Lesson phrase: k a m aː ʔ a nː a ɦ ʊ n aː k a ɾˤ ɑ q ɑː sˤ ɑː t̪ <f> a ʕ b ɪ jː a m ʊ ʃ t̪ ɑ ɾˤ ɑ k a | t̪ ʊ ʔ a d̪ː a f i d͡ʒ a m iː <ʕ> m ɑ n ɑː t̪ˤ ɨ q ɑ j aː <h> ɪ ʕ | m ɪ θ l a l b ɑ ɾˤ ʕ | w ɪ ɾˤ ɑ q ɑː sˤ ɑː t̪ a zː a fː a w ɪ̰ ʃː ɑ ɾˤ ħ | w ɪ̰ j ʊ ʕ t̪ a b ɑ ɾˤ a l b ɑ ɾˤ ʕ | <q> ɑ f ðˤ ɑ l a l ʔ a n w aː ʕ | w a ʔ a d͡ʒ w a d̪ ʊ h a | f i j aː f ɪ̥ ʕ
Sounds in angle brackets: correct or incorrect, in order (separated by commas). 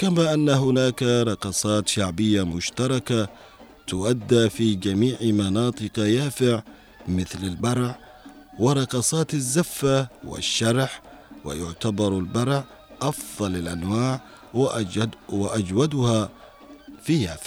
incorrect, correct, incorrect, incorrect